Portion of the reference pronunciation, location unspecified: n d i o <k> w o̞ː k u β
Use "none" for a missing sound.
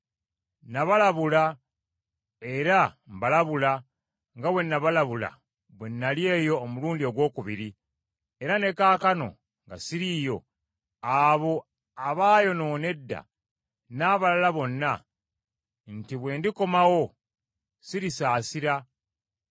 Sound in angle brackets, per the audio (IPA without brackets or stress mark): ɡ